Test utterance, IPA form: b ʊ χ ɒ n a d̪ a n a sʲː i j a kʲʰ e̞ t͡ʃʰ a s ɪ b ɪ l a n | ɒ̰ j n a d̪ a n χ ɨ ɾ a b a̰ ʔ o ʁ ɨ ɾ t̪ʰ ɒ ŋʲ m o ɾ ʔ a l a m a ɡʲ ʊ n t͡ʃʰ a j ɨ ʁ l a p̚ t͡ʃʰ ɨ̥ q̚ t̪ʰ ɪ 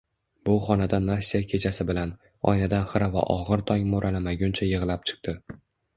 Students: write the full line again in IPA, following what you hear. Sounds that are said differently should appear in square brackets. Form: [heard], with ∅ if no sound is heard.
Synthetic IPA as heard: b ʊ χ ɒ n a d̪ a n a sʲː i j a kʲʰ e̞ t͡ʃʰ a s ɪ b ɪ l a n | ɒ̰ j n a d̪ a n χ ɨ ɾ a [v] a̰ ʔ [ɒ] ʁ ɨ ɾ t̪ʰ ɒ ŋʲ m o ɾ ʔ a l a m a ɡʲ ʊ n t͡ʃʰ a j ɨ ʁ l a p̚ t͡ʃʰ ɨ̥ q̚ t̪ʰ ɪ